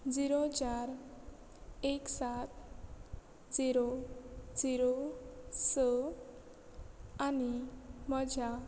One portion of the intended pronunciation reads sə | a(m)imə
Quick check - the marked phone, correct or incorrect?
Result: incorrect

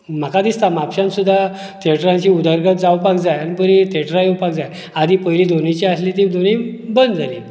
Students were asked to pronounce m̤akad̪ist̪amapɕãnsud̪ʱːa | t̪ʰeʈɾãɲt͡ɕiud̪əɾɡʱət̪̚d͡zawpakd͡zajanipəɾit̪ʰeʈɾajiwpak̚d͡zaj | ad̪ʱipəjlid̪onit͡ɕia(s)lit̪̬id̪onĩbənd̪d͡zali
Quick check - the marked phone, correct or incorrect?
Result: correct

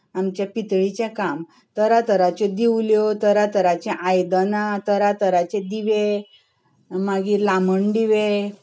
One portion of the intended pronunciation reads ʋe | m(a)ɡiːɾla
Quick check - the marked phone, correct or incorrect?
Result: correct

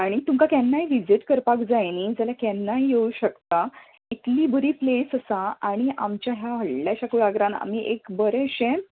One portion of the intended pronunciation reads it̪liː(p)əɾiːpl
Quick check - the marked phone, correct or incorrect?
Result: incorrect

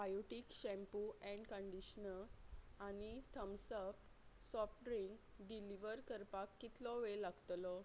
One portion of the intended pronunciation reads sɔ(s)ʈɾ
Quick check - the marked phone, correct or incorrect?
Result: incorrect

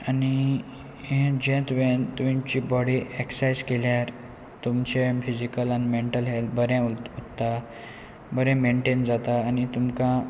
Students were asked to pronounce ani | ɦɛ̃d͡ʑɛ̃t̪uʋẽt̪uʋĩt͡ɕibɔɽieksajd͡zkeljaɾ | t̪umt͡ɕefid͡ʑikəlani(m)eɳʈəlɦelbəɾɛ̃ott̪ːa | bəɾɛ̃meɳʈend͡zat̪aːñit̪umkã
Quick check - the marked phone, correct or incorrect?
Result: correct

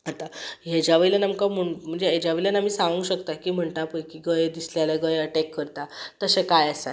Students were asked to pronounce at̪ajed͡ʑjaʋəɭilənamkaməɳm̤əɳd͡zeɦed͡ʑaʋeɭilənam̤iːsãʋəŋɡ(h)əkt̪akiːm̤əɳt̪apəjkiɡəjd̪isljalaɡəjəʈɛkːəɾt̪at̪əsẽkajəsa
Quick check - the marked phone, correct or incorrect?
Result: incorrect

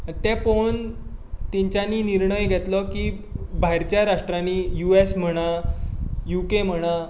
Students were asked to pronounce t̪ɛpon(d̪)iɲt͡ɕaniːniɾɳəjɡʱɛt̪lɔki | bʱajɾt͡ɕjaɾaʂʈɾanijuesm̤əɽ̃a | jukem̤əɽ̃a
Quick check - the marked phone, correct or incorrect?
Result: incorrect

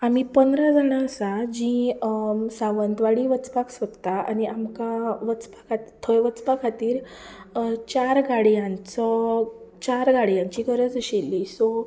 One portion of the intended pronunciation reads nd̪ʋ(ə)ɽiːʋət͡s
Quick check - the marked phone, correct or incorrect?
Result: incorrect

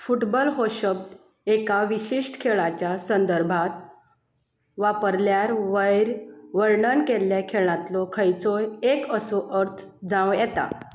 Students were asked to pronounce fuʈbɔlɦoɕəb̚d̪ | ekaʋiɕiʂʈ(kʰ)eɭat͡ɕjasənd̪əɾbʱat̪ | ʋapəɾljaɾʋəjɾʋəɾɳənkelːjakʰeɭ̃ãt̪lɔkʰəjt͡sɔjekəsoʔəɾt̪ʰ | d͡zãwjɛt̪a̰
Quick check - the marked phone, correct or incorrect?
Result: correct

